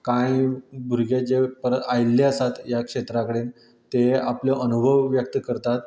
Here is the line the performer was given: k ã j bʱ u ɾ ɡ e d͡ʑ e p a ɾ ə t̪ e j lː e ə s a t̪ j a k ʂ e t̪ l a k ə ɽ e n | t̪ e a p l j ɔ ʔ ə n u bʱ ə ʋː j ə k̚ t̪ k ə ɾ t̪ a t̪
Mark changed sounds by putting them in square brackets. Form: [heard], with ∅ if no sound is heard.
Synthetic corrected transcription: k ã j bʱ u ɾ ɡ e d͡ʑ e p [ə] ɾ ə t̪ [a] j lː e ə s a t̪ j a k ʂ e t̪ [ɾ] a k ə ɽ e n | t̪ e a p l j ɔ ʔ ə n u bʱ ə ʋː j ə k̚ t̪ k ə ɾ t̪ a t̪